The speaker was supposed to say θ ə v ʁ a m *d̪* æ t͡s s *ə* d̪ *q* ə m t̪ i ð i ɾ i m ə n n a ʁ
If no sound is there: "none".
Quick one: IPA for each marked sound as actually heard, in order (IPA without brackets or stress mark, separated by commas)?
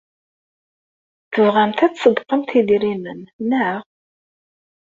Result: t̪, ə, q